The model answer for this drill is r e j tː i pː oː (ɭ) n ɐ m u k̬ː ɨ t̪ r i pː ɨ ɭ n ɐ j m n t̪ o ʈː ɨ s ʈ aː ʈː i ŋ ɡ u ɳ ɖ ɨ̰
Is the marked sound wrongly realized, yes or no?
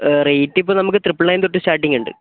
yes